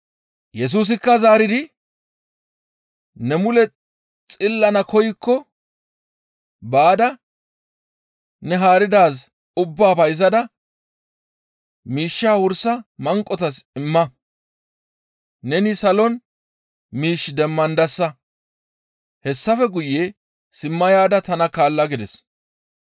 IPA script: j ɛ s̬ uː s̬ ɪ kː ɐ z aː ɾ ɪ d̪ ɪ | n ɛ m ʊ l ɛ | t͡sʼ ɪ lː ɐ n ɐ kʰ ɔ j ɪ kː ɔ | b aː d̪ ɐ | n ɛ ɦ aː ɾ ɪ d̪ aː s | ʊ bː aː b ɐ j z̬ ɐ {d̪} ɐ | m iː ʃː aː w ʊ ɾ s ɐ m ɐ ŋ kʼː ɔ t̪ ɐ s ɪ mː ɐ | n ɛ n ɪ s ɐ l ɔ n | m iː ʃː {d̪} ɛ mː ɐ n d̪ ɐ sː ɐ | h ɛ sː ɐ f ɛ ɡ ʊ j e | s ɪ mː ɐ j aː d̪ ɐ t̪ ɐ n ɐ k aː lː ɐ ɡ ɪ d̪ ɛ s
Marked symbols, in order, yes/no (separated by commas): yes, yes